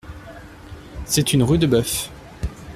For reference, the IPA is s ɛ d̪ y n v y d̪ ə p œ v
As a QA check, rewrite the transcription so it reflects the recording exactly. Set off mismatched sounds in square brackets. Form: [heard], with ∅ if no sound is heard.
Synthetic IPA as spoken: s ɛ [t̪] y n [ʁ] y d̪ ə [b] œ [f]